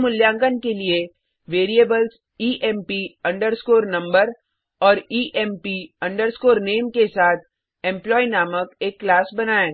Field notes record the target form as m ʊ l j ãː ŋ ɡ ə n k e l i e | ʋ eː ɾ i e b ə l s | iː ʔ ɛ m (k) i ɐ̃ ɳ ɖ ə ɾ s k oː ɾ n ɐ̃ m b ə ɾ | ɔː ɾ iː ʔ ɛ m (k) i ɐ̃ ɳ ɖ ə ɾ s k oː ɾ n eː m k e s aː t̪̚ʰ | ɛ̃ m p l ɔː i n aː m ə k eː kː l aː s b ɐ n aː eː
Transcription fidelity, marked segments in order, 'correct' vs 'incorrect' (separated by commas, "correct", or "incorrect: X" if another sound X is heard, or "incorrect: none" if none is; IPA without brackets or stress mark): incorrect: p, incorrect: p